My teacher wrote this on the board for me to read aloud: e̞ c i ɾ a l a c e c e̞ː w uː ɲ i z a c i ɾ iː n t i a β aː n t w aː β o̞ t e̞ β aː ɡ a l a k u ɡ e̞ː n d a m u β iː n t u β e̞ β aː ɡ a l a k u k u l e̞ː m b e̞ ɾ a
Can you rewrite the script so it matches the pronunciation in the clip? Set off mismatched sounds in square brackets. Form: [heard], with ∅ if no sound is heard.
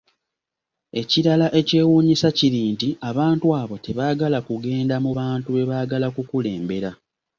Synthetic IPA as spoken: e̞ c i ɾ a l a [ʔ] e c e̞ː w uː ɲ i [s] a c i ɾ iː n t i a β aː n t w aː β o̞ t e̞ β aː ɡ a l a k u ɡ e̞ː n d a m u β [aː] n t u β e̞ β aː ɡ a l a k u k u l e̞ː m b e̞ ɾ a